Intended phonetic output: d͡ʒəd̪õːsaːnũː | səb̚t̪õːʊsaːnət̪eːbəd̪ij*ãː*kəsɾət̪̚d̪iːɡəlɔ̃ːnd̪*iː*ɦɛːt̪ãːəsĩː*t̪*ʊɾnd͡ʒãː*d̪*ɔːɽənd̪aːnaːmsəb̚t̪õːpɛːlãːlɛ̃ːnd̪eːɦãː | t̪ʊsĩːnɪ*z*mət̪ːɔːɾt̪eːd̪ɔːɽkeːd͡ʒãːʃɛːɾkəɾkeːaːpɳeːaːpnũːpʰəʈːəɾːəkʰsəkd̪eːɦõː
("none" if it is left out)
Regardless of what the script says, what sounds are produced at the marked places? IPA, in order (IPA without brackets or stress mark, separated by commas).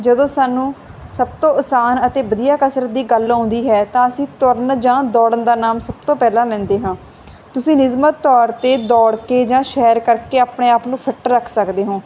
aː, iː, t̪, d̪, z